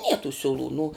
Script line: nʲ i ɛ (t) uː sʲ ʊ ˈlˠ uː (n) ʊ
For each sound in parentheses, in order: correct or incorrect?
correct, correct

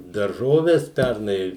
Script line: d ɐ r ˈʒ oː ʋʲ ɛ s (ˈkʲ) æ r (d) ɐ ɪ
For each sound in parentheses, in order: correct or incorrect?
incorrect, incorrect

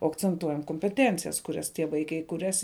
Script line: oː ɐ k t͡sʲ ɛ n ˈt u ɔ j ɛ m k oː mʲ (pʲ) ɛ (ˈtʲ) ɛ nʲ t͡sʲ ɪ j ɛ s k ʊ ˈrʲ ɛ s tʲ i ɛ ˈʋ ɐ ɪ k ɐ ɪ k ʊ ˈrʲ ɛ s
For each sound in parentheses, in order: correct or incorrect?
correct, correct

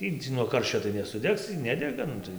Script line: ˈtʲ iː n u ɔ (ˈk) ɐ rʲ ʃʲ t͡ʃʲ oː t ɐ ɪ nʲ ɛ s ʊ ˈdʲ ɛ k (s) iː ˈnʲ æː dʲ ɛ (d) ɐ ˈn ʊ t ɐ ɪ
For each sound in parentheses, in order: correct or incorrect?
correct, correct, incorrect

